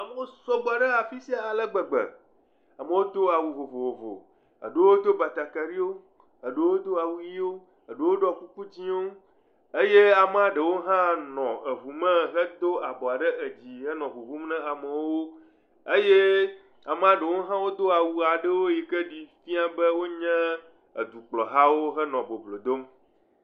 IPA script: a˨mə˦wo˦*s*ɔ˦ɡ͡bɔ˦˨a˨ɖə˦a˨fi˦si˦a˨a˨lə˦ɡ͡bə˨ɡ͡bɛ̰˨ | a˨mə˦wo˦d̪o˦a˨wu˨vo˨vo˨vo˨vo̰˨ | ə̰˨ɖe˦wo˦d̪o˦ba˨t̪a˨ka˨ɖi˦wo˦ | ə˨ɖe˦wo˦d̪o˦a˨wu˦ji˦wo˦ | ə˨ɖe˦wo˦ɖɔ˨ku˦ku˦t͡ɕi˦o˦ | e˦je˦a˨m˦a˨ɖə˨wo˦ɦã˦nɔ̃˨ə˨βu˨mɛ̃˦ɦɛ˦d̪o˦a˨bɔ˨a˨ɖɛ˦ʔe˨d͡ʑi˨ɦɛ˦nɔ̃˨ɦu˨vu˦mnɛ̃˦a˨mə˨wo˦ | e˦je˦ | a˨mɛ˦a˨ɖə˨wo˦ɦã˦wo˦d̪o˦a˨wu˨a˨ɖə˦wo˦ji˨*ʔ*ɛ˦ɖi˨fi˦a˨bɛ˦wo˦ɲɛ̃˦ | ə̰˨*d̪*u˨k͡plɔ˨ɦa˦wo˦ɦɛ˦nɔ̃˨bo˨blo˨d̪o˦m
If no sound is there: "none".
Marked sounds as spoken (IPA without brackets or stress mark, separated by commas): s, k, d̪